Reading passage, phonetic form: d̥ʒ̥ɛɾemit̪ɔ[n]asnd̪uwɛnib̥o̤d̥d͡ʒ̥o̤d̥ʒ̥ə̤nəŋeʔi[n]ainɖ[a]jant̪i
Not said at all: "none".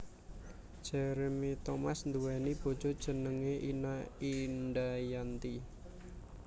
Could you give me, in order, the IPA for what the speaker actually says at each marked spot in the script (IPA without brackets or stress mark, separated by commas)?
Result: m, n, a